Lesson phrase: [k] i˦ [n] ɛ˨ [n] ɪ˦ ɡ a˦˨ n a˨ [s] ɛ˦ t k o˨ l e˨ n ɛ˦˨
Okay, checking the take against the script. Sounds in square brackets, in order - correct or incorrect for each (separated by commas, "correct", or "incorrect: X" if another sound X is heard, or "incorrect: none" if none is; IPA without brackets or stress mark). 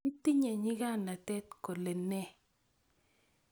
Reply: incorrect: t, incorrect: ɲ, incorrect: ɲ, incorrect: t